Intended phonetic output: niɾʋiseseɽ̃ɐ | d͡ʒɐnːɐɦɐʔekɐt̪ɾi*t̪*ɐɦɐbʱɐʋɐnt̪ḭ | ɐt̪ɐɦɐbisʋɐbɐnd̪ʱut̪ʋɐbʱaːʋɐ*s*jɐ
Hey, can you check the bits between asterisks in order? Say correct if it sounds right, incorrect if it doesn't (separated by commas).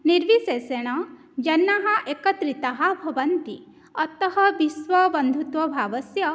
correct, correct